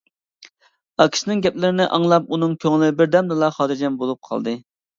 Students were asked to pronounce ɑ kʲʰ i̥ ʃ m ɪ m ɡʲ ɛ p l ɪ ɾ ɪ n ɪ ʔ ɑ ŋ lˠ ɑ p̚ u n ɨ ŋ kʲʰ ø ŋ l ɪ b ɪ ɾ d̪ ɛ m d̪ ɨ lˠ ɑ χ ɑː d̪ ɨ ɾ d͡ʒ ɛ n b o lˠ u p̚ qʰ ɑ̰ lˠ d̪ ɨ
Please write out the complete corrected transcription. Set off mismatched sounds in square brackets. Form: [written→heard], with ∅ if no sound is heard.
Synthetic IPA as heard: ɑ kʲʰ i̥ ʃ [m→n] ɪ [m→ŋ] ɡʲ ɛ p l ɪ ɾ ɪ n ɪ ʔ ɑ ŋ lˠ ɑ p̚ u n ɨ ŋ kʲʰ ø ŋ l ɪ b ɪ ɾ d̪ ɛ m d̪ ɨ lˠ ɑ χ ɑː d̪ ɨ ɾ d͡ʒ ɛ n b o lˠ u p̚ qʰ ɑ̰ lˠ d̪ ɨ